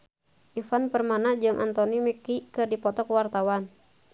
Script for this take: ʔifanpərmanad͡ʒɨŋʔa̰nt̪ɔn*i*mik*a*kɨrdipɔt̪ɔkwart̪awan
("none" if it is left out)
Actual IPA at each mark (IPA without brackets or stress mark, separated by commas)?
i, i